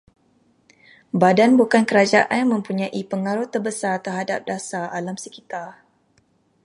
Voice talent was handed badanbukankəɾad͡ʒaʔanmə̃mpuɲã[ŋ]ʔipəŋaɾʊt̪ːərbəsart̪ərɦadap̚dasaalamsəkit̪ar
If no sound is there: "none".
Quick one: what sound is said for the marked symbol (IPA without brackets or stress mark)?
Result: none